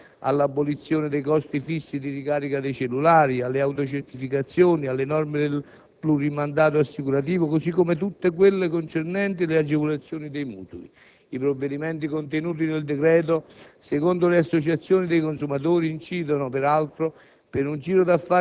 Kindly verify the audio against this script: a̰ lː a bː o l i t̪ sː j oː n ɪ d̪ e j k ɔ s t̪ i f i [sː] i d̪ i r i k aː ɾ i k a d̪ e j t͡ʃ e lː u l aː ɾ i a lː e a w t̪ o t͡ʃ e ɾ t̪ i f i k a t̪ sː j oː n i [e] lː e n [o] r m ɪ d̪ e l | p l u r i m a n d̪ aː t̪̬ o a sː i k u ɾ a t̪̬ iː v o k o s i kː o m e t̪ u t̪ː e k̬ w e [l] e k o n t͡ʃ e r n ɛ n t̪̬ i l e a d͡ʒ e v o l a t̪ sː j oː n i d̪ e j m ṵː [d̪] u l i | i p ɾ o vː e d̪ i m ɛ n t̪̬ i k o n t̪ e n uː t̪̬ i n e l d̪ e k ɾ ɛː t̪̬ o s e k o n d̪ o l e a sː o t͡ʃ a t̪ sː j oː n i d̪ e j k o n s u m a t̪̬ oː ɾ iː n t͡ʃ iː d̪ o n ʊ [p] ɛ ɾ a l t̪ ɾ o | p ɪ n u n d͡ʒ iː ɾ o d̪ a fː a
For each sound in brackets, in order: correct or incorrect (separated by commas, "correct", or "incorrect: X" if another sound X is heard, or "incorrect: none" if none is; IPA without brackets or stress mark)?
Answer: correct, incorrect: a, incorrect: ɔ, incorrect: lː, incorrect: t̪, correct